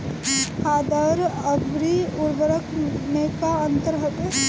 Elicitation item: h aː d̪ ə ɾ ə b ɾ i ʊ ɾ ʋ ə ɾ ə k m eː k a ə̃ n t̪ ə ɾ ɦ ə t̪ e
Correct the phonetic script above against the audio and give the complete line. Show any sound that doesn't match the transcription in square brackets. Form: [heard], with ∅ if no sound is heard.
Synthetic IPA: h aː d̪ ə ɾ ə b ɾ i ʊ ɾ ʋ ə ɾ ə k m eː k a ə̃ n t̪ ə ɾ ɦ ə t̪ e